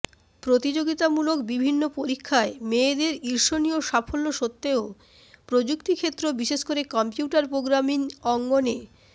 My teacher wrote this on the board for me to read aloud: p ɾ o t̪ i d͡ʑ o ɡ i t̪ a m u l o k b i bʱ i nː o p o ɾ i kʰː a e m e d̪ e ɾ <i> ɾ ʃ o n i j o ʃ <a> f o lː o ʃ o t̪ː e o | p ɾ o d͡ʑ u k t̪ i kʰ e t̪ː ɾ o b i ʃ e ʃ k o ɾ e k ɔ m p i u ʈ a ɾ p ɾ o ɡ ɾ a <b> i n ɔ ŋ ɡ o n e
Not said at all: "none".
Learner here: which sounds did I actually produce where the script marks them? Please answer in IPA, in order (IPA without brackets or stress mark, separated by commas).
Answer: i, a, m